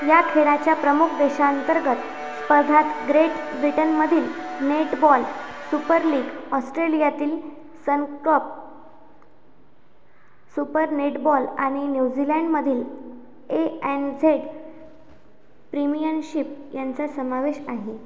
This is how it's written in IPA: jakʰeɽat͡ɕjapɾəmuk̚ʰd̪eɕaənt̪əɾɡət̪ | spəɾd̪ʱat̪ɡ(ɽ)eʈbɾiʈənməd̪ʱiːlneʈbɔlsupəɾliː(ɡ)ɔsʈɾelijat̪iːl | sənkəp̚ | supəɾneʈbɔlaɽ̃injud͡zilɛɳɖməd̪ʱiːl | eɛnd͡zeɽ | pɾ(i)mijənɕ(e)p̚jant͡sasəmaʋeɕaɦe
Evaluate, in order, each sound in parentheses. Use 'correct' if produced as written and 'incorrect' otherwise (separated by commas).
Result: incorrect, correct, correct, incorrect